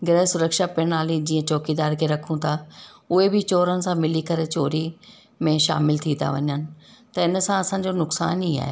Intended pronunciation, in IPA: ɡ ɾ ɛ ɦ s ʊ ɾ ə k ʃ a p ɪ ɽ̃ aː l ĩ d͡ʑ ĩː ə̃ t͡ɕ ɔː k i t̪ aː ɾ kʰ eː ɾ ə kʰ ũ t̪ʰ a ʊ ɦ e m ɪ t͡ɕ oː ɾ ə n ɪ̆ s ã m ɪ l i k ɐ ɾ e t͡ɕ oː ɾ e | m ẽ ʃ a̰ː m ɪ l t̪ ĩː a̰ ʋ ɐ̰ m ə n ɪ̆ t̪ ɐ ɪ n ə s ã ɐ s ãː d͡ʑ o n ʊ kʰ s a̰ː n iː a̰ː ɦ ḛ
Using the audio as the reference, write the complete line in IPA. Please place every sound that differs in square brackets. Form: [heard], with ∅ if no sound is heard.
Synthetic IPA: ɡ ɾ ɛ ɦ s ʊ ɾ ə k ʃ a p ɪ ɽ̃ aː l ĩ d͡ʑ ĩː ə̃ t͡ɕ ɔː k i [d̪] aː ɾ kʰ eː ɾ [ɐ] kʰ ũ t̪ʰ a ʊ ɦ e [b] ɪ t͡ɕ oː ɾ ə n ɪ̆ s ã m ɪ l i k ɐ ɾ e t͡ɕ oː ɾ [i] | m ẽ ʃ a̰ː m ɪ l [t̪ʰ] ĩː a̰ ʋ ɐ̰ [ɲ] ə n ɪ̆ t̪ ɐ ɪ n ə s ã ɐ s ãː d͡ʑ o n ʊ [k] s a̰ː n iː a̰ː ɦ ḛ